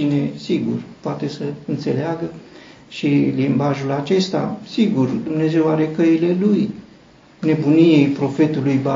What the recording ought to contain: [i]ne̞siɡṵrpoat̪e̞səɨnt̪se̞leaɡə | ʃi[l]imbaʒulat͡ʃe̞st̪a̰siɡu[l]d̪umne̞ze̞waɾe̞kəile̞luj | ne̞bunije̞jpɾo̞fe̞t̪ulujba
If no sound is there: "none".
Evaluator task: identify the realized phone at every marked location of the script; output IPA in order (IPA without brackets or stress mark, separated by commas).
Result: i, l, r